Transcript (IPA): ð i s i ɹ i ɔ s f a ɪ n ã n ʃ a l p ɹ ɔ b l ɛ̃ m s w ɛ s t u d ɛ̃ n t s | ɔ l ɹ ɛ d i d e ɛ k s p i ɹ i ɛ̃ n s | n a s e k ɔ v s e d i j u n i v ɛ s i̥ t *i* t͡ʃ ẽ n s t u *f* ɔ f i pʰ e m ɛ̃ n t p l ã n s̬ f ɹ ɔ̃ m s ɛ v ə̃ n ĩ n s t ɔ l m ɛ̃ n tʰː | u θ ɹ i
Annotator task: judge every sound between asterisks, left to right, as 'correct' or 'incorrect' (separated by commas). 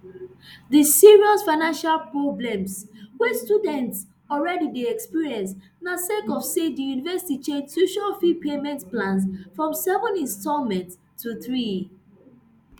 correct, incorrect